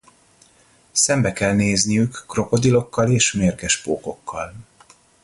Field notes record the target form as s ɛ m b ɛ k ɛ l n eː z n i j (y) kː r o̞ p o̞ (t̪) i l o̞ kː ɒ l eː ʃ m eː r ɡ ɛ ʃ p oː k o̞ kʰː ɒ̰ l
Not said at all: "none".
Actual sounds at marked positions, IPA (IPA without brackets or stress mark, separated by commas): y, d̪